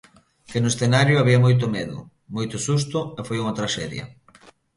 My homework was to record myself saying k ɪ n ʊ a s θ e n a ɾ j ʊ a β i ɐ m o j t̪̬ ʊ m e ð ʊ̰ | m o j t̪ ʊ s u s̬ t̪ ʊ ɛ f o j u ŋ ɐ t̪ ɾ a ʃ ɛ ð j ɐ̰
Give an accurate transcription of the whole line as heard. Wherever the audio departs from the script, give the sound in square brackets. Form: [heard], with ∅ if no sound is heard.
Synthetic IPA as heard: k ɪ n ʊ [e] s θ e n a ɾ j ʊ a β i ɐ m o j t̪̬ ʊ m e ð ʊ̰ | m o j t̪ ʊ s u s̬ t̪ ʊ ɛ f o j u ŋ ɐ t̪ ɾ a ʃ ɛ ð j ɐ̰